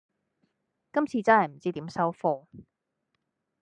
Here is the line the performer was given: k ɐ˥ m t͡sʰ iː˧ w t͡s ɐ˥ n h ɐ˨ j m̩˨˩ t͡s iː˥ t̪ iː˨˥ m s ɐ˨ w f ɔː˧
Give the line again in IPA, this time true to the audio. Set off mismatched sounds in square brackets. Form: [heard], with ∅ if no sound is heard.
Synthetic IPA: k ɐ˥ m t͡sʰ iː˧ [∅] t͡s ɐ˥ n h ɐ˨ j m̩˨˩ t͡s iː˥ t̪ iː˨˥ m s [ɐ˥] w f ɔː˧